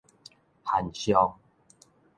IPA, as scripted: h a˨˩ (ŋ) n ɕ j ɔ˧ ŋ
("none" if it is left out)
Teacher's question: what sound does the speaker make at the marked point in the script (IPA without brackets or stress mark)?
none